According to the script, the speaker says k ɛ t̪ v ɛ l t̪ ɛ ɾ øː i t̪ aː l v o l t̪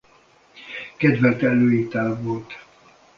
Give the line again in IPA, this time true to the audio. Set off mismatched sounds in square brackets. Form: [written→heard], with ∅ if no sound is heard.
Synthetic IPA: k ɛ [t̪→d̪] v ɛ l t̪ ɛ [ɾ→l] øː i t̪ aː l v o l t̪

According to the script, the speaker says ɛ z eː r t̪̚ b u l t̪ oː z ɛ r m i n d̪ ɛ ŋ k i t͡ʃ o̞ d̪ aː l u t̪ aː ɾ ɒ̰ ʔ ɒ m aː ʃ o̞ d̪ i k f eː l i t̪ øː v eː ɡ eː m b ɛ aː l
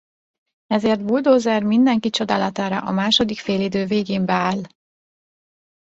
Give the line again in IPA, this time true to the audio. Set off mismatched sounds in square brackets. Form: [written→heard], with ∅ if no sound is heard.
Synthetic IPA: ɛ z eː r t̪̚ b u l [t̪→d̪] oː z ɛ r m i n d̪ ɛ ŋ k i t͡ʃ o̞ d̪ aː l [u→ɒ] t̪ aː ɾ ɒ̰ ʔ ɒ m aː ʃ o̞ d̪ i k f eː l i [t̪→d̪] øː v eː ɡ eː m b ɛ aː l

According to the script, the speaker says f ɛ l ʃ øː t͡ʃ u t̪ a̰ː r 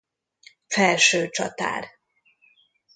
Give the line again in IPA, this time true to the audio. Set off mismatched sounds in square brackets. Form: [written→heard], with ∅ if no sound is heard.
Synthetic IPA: f ɛ l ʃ øː t͡ʃ [u→ɒ] t̪ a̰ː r

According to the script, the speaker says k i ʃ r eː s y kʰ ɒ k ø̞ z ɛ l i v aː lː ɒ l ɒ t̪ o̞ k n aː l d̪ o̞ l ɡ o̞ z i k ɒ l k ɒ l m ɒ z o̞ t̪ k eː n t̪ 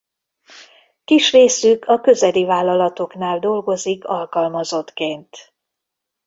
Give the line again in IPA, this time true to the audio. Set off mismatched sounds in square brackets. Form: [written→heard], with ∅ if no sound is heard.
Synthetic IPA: k i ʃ r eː s y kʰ ɒ k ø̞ z ɛ l i v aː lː ɒ l ɒ t̪ o̞ k n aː l d̪ o̞ l ɡ o̞ z i k ɒ l k ɒ l m ɒ z o̞ t̪ k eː n t̪

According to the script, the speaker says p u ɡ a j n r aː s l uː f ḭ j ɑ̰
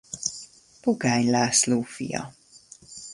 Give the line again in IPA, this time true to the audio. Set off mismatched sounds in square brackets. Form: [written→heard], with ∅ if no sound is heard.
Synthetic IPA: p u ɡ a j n [r→l] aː s l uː f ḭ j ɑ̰

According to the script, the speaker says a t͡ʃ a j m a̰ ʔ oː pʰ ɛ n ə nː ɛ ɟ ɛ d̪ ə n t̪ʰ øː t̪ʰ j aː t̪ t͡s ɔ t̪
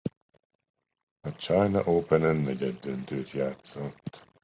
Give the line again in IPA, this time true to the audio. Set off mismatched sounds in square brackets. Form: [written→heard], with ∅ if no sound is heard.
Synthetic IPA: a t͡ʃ a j [m→n] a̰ ʔ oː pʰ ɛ n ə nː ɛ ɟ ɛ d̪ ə n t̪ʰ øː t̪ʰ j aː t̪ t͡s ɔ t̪

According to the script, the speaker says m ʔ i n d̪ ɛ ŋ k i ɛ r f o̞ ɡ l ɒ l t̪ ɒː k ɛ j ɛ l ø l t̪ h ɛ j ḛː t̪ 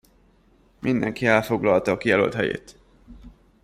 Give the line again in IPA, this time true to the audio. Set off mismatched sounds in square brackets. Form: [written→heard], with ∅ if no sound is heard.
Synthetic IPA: m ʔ i n d̪ ɛ ŋ k i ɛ [r→l] f o̞ ɡ l ɒ l t̪ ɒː k [ɛ→i] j ɛ l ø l t̪ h ɛ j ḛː t̪

